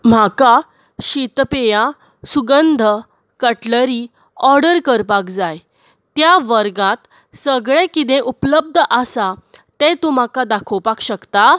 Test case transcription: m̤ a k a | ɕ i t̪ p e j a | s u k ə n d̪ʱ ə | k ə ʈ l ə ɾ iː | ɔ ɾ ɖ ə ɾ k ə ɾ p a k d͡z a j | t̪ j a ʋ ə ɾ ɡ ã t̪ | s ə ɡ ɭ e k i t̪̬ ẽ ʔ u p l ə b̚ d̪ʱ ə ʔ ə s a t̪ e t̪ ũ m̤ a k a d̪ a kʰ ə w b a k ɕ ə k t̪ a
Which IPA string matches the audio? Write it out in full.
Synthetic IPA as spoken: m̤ a k a | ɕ i t̪ p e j a | s u ɡ ə n d̪ʱ ə | k ə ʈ l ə ɾ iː | ɔ ɾ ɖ ə ɾ k ə ɾ p a k d͡z a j | t̪ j a ʋ ə ɾ ɡ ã t̪ | s ə ɡ ɭ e k i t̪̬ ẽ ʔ u p l ə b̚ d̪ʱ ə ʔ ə s a t̪ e t̪ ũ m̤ a k a d̪ a kʰ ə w p a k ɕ ə k t̪ a